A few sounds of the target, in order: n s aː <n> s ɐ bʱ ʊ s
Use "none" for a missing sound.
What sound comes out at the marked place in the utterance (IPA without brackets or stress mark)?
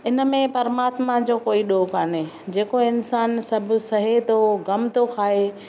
n